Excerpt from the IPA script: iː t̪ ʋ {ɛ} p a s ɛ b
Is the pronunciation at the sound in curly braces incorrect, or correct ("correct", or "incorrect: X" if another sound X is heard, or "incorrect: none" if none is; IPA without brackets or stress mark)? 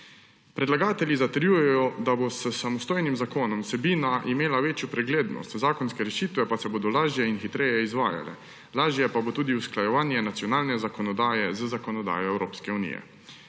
correct